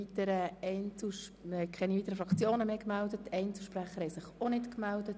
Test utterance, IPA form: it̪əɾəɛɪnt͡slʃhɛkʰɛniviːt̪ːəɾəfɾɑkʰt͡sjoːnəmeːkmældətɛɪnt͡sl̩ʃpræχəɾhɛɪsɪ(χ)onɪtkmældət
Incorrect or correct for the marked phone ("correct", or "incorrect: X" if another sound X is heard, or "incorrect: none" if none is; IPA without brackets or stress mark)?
correct